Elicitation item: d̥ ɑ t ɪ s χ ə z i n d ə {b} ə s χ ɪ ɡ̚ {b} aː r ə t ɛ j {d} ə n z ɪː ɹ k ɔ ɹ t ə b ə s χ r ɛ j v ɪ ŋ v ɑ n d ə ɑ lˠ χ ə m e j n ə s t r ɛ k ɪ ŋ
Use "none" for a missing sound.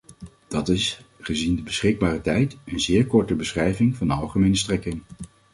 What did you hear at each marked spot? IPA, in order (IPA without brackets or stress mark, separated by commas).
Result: b, b, t